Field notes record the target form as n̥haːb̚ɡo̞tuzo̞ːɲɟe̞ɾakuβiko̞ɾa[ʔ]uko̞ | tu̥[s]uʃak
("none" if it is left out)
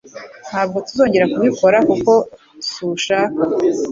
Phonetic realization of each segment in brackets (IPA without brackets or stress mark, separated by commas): k, s